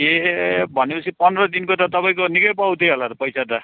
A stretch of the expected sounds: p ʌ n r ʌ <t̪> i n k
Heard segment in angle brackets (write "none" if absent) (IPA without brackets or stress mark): d̪